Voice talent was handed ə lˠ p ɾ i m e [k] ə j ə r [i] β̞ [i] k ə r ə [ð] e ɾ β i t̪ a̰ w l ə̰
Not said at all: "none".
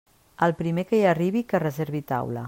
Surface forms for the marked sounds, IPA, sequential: k, i, i, z

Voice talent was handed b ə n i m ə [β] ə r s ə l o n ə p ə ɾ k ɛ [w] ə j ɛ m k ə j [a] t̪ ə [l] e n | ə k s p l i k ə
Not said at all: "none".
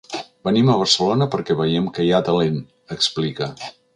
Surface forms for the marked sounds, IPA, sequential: β, β, a, l

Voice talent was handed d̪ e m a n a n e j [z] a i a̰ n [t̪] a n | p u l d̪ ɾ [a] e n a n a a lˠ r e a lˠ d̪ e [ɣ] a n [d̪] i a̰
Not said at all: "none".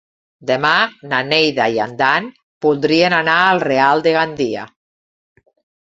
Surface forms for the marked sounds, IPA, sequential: ð, d̪, i, ɣ, d̪

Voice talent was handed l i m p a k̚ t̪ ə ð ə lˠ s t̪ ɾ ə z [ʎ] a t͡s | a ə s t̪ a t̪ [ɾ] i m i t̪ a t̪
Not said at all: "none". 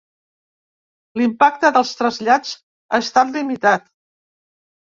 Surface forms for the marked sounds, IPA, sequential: ʎ, l

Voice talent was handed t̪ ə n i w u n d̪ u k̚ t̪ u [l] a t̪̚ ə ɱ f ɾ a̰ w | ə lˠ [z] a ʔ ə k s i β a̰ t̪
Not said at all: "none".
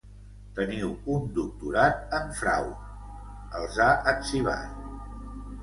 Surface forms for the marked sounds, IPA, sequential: ɾ, z

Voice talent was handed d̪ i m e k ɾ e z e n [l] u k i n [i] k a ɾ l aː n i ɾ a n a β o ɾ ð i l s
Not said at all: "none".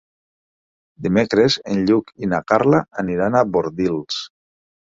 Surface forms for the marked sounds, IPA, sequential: ʎ, a

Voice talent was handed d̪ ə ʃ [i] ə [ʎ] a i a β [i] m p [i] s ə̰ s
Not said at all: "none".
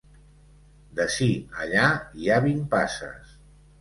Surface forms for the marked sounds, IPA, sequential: i, ʎ, i, a

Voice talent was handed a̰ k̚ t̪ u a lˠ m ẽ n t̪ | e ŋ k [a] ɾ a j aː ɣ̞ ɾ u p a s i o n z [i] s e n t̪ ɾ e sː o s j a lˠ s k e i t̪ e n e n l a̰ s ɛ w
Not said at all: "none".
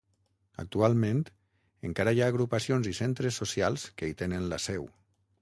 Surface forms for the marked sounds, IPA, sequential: a, i

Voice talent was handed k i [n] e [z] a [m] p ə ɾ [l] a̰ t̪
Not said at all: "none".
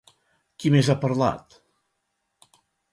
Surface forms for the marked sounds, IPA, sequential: m, z, none, l

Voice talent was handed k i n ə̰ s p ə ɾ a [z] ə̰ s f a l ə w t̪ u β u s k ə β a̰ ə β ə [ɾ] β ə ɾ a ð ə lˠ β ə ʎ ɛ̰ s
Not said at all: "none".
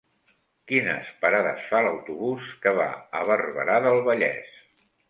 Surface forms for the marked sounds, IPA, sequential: ð, r

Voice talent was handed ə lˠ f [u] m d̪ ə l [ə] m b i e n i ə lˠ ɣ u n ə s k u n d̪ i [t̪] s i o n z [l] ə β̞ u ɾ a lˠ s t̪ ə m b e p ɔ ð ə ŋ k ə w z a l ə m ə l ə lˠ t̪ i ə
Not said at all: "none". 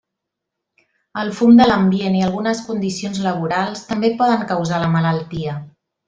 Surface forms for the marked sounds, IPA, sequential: u, ə, none, l

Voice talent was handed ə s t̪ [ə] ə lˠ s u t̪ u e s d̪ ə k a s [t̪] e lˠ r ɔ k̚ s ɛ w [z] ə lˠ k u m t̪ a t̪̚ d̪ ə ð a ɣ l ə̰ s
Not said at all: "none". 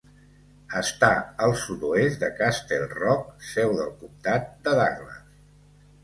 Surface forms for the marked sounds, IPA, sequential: a, t̪, ð

